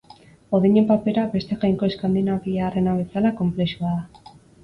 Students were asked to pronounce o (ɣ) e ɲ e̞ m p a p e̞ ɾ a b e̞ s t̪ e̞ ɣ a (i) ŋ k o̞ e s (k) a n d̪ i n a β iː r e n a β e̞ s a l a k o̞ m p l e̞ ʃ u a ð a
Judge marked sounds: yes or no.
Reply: no, no, yes

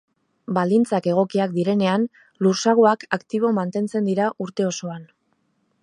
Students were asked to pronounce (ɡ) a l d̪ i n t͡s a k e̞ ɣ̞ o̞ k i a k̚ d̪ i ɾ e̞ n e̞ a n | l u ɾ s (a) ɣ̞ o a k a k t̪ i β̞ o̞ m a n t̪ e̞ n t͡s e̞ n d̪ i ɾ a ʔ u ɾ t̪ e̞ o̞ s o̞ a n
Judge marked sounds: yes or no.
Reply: no, yes

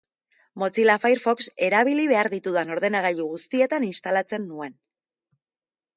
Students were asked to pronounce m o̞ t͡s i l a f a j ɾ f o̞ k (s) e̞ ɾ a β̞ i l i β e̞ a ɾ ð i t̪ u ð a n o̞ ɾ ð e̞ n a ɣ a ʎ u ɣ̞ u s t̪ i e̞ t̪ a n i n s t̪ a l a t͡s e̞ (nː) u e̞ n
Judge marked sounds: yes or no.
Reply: yes, yes

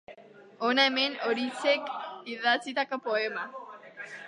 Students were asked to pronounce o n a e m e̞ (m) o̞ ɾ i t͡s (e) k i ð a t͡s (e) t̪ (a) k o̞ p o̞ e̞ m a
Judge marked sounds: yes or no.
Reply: no, yes, no, yes

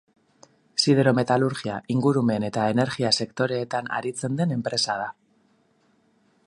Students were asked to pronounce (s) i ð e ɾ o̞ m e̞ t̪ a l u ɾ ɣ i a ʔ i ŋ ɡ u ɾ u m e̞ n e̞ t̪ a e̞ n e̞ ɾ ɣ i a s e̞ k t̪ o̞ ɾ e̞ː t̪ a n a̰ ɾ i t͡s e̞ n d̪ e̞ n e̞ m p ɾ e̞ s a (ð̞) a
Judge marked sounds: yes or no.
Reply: yes, yes

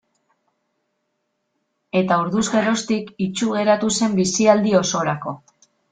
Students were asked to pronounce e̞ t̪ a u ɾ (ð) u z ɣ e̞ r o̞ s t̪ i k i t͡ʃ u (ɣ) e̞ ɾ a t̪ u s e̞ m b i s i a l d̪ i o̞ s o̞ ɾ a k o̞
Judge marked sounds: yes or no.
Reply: yes, yes

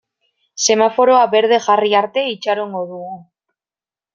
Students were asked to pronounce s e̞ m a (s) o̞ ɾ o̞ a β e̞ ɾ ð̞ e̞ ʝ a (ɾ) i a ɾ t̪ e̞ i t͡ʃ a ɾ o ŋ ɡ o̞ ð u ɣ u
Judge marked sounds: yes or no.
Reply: no, no

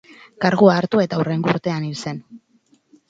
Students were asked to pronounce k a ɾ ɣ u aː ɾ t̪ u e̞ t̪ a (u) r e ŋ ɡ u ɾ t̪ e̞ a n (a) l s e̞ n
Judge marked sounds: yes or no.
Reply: yes, no

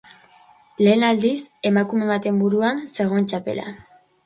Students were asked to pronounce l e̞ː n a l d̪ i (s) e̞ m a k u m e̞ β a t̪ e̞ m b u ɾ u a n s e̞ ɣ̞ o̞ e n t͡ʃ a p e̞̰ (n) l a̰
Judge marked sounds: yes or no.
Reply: yes, no

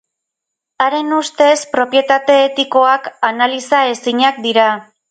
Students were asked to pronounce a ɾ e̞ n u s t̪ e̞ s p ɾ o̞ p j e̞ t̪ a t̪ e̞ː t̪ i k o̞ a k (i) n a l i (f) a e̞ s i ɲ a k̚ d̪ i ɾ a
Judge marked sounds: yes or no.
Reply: no, no

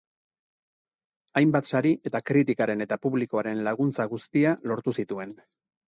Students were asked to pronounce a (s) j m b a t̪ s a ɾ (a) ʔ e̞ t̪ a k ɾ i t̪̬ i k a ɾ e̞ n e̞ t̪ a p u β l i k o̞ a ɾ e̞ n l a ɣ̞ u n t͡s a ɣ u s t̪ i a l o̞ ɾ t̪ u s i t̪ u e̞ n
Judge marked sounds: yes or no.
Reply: no, no

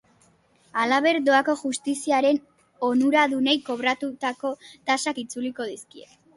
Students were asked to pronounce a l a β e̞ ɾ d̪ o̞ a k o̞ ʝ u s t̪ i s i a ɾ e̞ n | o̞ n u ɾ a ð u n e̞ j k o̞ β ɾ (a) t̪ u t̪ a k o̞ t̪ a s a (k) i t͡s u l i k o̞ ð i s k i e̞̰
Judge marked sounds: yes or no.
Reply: yes, yes

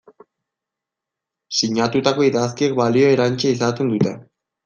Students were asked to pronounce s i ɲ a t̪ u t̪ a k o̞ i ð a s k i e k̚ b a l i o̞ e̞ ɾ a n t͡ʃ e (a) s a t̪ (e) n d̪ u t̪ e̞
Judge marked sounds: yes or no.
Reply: no, yes

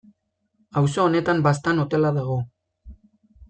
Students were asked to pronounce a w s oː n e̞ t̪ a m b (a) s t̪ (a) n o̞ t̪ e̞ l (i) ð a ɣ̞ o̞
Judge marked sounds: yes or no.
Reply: yes, yes, no

